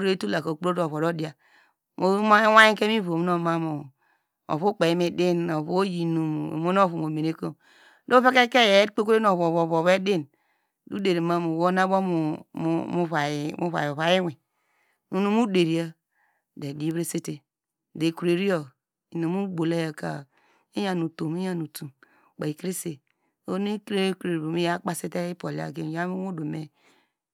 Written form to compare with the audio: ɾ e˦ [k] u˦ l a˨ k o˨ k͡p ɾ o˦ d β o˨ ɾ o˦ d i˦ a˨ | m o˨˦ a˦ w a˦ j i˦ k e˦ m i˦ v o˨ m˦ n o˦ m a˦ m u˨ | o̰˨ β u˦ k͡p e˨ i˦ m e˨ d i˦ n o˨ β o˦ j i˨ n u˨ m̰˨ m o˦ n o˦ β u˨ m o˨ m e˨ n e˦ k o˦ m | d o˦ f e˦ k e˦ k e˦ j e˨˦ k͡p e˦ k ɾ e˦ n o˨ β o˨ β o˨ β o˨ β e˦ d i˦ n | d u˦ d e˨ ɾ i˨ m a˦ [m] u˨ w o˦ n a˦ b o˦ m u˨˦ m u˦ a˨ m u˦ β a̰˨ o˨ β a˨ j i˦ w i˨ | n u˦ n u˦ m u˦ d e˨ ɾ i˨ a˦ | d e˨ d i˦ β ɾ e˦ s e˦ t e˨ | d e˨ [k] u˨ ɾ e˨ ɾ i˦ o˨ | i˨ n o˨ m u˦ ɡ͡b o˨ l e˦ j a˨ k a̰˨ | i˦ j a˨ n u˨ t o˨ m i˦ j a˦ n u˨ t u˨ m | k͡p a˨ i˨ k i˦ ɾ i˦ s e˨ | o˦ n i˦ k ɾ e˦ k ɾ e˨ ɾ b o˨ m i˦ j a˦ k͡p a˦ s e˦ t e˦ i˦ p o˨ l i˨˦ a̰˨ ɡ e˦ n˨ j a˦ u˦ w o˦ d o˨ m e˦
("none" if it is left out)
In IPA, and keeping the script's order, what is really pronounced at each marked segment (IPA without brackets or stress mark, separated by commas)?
t, m, k